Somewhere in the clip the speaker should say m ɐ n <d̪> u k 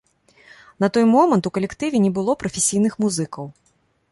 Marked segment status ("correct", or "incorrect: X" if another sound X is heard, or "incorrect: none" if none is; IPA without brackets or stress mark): incorrect: t̪